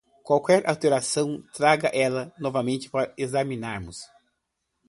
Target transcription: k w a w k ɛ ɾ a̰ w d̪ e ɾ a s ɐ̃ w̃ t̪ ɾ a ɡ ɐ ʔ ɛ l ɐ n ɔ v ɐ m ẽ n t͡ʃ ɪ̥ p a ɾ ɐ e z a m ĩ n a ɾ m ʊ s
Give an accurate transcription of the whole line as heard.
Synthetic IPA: k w a w k ɛ ɾ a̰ w t̪ e ɾ a s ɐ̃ w̃ t̪ ɾ a ɡ ɐ ʔ ɛ l ɐ n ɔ v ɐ m ẽ n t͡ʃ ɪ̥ p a ɾ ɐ e z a m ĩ n a ɾ m ʊ s